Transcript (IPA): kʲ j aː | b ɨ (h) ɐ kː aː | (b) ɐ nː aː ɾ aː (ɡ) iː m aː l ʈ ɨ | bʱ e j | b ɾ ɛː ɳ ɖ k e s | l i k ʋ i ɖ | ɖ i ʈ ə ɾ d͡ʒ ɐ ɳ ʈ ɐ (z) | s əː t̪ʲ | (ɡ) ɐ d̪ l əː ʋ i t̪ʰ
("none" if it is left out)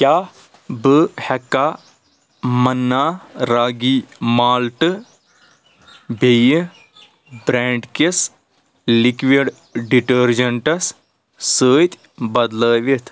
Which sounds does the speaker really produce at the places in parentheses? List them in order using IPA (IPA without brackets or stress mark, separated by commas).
h, m, ɡ, s, b